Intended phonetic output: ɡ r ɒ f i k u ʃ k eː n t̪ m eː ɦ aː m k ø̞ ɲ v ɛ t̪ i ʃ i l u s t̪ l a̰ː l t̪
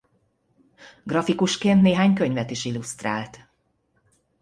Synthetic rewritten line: ɡ r ɒ f i k u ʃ k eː n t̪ n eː ɦ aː ɲ k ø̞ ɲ v ɛ t̪ i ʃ i l u s t̪ r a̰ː l t̪